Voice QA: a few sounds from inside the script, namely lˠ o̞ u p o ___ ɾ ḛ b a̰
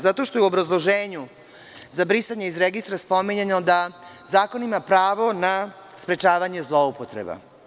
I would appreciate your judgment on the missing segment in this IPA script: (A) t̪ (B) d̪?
A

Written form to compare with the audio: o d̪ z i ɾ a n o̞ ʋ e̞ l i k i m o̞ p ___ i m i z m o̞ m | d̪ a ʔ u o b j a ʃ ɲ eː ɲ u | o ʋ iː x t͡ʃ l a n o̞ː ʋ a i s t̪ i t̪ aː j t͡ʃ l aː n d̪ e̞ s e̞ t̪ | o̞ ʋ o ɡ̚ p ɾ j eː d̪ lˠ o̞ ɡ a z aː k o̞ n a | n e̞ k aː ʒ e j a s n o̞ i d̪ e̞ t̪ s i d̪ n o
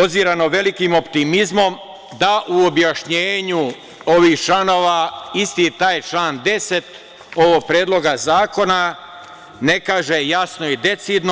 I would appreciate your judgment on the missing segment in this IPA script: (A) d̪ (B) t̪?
B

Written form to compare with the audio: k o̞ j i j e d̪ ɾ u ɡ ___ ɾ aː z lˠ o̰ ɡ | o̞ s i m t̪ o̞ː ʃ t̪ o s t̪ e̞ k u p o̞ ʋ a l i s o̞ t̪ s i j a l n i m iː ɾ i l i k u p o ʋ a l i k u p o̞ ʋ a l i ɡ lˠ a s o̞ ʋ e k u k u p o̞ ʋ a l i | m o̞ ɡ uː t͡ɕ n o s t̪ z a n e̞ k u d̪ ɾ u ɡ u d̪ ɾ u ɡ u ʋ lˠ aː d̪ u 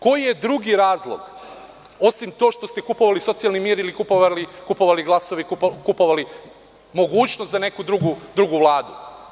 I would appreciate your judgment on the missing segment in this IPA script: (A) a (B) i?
B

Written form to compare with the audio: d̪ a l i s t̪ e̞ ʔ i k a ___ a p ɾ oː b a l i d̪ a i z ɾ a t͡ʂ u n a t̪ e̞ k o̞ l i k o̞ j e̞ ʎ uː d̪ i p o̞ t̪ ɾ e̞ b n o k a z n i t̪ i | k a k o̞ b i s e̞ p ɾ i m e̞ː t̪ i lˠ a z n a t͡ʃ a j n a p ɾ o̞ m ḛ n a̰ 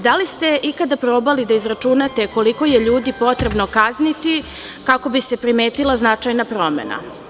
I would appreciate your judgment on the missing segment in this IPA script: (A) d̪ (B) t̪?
A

